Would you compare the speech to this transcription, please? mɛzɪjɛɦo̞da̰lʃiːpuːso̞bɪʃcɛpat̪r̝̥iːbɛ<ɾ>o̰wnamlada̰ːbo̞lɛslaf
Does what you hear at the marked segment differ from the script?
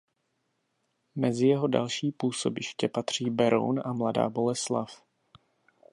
no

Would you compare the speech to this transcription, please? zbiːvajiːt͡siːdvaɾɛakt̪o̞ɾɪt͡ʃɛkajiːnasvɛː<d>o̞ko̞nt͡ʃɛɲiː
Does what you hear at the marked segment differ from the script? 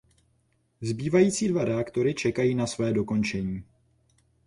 no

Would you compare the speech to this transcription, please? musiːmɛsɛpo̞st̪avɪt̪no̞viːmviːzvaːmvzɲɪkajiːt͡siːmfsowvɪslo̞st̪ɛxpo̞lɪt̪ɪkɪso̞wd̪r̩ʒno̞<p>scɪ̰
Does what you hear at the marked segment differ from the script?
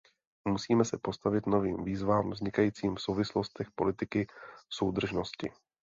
yes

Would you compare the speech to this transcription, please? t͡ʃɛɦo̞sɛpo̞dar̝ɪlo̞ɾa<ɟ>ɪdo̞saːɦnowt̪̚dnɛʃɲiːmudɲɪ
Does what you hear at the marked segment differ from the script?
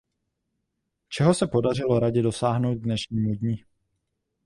no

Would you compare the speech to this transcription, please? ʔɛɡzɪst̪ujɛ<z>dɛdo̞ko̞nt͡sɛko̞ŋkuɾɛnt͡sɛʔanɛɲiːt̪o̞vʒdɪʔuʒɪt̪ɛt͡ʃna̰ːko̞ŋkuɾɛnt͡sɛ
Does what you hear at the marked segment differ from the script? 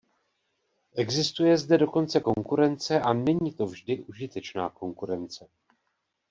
no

